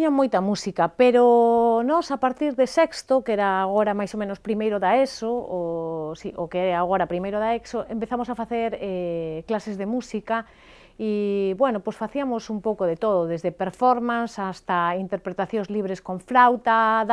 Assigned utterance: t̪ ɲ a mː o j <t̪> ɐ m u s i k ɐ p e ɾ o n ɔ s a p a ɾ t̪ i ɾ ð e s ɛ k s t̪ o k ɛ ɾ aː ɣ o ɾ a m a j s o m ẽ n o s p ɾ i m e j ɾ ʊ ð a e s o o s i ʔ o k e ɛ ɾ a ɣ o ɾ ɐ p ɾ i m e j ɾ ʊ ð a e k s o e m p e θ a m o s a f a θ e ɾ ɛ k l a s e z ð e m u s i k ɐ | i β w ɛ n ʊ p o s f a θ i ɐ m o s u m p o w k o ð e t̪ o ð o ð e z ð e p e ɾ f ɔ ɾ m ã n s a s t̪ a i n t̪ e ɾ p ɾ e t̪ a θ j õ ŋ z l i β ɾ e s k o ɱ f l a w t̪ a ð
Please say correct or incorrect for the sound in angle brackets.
correct